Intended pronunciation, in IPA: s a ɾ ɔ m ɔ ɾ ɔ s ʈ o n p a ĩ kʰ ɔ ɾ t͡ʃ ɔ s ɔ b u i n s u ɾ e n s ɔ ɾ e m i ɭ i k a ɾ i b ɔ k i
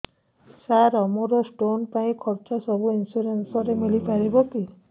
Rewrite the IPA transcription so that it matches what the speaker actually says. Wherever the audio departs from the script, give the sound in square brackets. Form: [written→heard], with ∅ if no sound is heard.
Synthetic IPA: s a ɾ ɔ m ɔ ɾ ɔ s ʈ o n p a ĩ kʰ ɔ ɾ t͡ʃ ɔ s ɔ b u i n s u ɾ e n s ɔ ɾ e m i [ɭ→l] i [k→p] a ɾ i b ɔ k i